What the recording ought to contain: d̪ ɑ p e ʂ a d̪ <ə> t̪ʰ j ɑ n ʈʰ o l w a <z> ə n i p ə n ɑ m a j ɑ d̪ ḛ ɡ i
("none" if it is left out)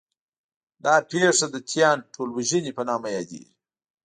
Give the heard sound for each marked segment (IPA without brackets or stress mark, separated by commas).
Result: ə, ʒ